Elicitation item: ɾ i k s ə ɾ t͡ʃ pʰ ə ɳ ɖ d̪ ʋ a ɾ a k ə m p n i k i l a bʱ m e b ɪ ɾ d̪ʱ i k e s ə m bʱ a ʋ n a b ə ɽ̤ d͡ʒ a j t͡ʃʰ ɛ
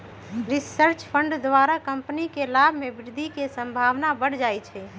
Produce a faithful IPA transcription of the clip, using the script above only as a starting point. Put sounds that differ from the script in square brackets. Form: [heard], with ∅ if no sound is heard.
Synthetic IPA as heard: ɾ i [∅] s ə ɾ t͡ʃ pʰ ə ɳ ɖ d̪ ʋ a ɾ a k ə m p n i k [e] l a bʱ m e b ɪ ɾ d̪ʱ i k e s ə m bʱ a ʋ n a b ə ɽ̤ d͡ʒ a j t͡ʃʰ ɛ